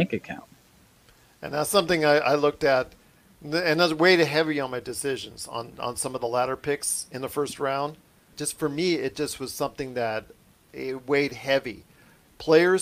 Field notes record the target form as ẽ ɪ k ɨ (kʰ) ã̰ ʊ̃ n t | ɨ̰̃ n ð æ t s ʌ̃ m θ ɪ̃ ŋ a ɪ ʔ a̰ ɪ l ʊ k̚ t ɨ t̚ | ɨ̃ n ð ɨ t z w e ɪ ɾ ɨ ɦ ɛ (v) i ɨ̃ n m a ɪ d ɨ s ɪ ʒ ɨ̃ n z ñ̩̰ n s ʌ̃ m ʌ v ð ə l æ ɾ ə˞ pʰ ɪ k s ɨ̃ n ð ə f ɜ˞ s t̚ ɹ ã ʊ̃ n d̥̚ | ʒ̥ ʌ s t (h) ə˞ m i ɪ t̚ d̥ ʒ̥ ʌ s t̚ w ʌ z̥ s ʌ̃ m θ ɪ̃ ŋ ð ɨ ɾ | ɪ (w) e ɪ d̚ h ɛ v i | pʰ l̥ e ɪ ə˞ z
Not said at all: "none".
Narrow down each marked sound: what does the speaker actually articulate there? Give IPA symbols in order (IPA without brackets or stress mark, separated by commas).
kʰ, v, f, w